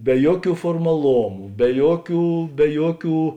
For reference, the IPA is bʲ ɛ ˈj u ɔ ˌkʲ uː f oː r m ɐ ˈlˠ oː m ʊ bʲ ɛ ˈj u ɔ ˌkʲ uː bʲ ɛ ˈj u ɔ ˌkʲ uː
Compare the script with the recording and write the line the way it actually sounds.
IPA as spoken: bʲ ɛ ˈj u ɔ ˌkʲ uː f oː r m ɐ ˈlˠ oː m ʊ bʲ ɛ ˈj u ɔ ˌkʲ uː bʲ ɛ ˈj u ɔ ˌkʲ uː